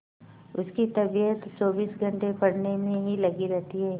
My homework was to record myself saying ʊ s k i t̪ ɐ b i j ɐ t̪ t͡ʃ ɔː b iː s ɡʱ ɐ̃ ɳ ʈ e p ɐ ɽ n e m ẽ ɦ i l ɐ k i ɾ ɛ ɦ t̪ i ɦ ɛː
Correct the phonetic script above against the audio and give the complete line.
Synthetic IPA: ʊ s k i t̪ ɐ b i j ə t̪ t͡ʃ ɔː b iː s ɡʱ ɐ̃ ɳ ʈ e p ɐ ɽ n e m ẽ ɦ i l ɐ ɡ i ɾ ɛ ɦ t̪ i ɦ ɛː